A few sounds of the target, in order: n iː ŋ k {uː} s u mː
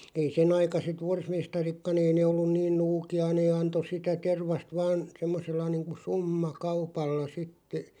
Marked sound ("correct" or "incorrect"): incorrect